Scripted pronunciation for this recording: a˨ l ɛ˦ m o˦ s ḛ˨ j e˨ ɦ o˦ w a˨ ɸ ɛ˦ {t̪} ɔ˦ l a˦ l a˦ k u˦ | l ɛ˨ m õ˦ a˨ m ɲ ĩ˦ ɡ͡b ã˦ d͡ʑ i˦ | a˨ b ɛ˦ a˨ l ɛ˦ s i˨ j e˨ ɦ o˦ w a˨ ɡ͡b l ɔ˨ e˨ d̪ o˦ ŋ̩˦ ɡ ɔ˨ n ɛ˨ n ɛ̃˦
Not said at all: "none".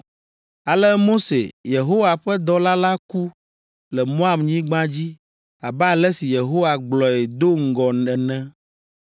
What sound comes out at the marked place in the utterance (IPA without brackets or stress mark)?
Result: d̪